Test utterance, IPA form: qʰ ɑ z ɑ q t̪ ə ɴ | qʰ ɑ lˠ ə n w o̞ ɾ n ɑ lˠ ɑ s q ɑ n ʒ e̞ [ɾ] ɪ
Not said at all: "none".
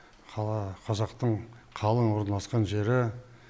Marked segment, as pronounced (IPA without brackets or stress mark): ɾ